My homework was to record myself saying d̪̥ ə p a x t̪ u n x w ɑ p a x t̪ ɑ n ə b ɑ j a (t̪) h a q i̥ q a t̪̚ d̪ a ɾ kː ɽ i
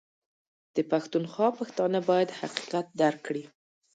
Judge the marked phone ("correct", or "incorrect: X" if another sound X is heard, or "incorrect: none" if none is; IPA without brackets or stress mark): incorrect: d̪